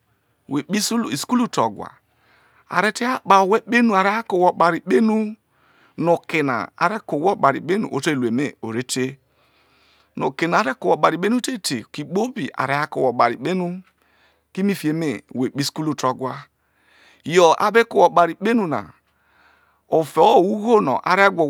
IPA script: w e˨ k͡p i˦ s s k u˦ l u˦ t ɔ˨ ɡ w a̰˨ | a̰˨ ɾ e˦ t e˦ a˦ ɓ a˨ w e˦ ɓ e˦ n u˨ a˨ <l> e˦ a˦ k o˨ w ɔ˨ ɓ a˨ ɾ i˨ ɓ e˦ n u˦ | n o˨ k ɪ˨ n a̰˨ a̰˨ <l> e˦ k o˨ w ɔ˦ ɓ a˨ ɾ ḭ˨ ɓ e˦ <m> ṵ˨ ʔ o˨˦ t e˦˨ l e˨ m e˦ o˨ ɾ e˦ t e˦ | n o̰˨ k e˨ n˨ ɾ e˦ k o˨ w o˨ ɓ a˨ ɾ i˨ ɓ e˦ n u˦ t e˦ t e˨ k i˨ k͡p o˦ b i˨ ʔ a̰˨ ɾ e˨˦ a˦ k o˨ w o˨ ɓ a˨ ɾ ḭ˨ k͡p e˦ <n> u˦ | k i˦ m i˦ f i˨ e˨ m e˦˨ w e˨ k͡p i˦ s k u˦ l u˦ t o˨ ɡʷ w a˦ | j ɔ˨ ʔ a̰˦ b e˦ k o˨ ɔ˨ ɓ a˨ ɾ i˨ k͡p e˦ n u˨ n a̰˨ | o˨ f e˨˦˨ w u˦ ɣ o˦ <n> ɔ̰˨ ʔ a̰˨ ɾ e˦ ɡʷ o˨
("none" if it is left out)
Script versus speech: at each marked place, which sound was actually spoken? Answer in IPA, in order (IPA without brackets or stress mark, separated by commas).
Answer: ɾ, ɾ, n, n, n